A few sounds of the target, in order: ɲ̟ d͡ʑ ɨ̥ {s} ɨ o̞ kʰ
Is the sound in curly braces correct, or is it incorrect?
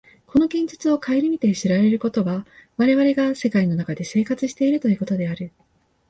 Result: incorrect